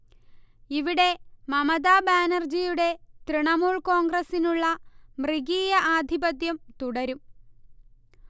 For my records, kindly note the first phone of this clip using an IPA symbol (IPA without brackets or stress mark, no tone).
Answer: i